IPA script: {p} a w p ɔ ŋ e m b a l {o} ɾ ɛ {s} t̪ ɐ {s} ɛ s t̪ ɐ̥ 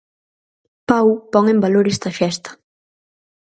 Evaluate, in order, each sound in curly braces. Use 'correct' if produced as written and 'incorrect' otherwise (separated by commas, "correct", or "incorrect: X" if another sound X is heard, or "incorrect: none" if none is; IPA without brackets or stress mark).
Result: correct, correct, correct, incorrect: f